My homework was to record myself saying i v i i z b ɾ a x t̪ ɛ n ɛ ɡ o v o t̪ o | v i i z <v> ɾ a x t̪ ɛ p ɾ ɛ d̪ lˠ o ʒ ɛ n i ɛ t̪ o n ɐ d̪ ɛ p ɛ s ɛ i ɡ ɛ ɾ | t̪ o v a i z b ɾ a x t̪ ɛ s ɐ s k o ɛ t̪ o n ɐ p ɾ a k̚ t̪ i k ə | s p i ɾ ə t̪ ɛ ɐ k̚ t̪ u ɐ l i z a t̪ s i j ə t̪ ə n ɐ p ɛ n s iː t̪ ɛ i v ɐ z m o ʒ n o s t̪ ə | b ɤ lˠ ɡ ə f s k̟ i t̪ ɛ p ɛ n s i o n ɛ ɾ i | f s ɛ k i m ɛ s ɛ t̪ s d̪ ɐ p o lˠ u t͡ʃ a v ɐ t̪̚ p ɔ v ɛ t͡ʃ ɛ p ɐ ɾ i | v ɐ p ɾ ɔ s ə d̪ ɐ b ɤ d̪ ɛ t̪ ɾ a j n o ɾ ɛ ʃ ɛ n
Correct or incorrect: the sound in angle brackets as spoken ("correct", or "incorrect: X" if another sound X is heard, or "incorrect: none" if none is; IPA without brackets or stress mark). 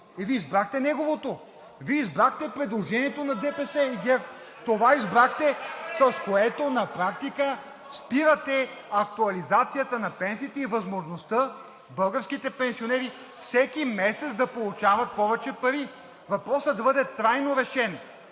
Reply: incorrect: b